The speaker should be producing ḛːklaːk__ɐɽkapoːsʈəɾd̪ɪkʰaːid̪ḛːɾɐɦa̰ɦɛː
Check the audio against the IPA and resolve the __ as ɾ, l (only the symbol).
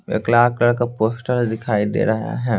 l